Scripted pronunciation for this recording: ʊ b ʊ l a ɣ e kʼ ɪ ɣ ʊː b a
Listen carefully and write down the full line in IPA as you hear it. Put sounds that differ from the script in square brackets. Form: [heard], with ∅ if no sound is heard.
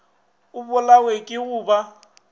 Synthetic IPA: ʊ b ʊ l a [w] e kʼ ɪ ɣ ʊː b a